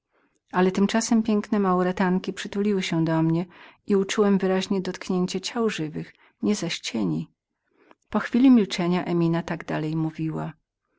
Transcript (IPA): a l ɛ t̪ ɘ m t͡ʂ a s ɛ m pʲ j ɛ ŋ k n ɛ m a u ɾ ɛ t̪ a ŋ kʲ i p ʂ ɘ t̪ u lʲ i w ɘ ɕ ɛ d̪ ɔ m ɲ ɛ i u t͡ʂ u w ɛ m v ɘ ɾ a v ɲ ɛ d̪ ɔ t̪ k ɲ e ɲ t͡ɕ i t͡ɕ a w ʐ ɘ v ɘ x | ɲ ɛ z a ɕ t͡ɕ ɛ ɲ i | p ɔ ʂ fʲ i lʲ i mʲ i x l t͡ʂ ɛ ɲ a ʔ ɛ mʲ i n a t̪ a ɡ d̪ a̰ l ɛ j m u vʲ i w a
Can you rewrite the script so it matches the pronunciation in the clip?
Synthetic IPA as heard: a l ɛ t̪ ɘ m t͡ʂ a s ɛ m pʲ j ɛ ŋ k n ɛ m a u ɾ ɛ t̪ a ŋ kʲ i p ʂ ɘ t̪ u lʲ i w ɘ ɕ ɛ d̪ ɔ m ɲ ɛ i u t͡ʂ u w ɛ m v ɘ ɾ a ʑ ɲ ɛ d̪ ɔ t̪ k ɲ e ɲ t͡ɕ ɛ t͡ɕ a w ʐ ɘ v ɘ x | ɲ ɛ z a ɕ t͡ɕ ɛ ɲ i | p ɔ x fʲ i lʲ i mʲ i l t͡ʂ ɛ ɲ a ʔ ɛ mʲ i n a t̪ a ɡ d̪ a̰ l ɛ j m u vʲ i w a